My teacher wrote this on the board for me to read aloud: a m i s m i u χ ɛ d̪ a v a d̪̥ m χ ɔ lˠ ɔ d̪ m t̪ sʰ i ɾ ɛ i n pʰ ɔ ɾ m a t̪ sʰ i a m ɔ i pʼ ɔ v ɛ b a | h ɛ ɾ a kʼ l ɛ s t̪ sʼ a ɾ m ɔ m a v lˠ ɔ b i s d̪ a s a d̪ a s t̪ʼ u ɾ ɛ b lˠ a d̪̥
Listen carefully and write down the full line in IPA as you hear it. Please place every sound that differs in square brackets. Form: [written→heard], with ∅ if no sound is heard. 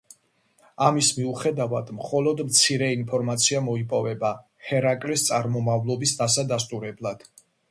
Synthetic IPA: a m i s m i u χ ɛ d̪ a v a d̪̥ m χ ɔ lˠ ɔ d̪ m t̪ sʰ i ɾ ɛ i n pʰ ɔ ɾ m a t̪ sʰ i a m ɔ i pʼ ɔ v ɛ b a | h ɛ ɾ a kʼ l [ɛ→i] s t̪ sʼ a ɾ m ɔ m a v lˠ ɔ b i s d̪ a s a d̪ a s t̪ʼ u ɾ ɛ b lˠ a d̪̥